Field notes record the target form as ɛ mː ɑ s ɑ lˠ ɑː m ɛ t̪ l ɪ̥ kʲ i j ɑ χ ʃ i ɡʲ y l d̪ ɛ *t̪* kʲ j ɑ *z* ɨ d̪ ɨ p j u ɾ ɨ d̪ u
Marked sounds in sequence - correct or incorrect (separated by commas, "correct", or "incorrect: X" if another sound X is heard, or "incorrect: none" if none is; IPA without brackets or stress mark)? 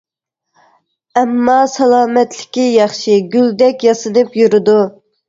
incorrect: none, incorrect: s